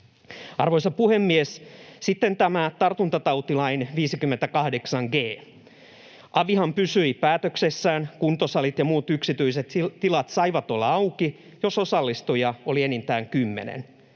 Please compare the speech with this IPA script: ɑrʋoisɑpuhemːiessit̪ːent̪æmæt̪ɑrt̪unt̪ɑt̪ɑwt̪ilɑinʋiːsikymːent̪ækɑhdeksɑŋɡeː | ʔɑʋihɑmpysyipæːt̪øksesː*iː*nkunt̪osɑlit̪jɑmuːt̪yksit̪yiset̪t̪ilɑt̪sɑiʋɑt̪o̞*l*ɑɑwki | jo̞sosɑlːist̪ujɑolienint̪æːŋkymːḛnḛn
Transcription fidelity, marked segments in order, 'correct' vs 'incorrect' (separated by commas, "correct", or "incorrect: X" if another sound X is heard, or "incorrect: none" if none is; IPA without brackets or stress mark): incorrect: æː, incorrect: lː